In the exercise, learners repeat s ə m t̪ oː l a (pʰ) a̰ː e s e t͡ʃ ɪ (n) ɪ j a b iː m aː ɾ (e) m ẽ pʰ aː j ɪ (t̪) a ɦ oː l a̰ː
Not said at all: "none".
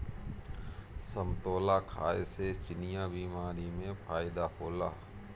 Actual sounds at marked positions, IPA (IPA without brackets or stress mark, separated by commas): kʰ, n, i, d̪